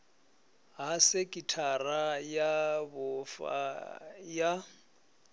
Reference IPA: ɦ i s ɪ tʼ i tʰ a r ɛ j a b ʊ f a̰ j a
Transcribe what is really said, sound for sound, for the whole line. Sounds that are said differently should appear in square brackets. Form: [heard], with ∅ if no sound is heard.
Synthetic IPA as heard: ɦ [a] s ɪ [kʼ] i tʰ a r [a] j a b ʊ f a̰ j a